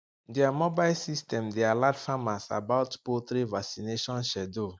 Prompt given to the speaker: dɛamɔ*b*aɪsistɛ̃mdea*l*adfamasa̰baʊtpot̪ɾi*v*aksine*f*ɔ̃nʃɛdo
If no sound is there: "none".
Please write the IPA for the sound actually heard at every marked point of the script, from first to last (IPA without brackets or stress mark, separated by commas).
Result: b, l, v, ʃ